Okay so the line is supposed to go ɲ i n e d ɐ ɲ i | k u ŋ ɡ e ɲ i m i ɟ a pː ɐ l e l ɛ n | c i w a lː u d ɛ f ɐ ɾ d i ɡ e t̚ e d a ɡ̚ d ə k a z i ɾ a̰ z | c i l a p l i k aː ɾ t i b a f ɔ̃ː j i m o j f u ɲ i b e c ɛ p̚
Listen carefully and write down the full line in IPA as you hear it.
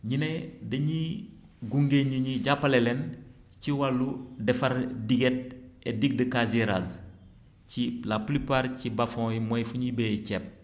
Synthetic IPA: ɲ i n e d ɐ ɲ i | ɡ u ŋ ɡ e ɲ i ɲ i ɟ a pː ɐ l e l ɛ n | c i w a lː u d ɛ f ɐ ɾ d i ɡ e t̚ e d i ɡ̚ d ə k a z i ɾ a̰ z | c i l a p l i p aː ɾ c i b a f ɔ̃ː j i m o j f u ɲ i b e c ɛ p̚

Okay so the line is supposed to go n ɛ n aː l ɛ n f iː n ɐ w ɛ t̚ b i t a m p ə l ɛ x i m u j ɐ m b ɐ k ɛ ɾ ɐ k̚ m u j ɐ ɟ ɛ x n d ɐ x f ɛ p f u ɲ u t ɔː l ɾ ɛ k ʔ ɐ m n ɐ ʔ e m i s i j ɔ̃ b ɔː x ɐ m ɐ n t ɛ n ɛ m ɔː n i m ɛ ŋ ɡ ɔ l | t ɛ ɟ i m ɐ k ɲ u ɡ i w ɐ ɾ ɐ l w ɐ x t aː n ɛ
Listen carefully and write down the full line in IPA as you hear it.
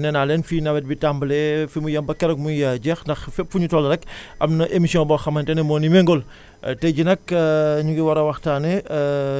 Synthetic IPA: n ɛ n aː l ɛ n f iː n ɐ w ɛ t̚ b i t a m b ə l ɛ f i m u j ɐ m b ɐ k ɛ ɾ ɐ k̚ m u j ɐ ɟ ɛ x n d ɐ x f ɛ p f u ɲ u t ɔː l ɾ ɛ k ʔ ɐ m n ɐ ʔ e m i s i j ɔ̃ b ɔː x ɐ m ɐ n t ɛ n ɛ m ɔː n i m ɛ ŋ ɡ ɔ l | t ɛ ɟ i n ɐ k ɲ u ɡ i w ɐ ɾ ɐ w ɐ x t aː n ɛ

